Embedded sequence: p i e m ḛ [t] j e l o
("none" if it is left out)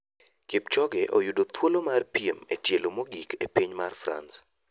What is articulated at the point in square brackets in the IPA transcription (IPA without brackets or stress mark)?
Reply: t